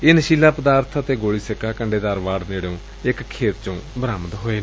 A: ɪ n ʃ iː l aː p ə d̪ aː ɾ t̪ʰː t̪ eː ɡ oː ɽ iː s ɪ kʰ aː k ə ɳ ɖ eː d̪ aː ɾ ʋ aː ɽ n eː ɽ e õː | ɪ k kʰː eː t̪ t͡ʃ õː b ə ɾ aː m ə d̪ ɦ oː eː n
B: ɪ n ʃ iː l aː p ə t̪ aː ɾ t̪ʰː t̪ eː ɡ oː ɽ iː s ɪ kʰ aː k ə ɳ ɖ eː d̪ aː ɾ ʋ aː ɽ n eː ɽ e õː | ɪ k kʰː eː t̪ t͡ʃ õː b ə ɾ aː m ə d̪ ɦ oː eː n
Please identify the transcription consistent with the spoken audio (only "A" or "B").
A